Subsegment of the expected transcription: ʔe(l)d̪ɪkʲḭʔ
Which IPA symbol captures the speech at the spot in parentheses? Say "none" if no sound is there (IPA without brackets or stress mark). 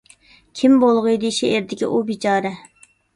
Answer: ɾ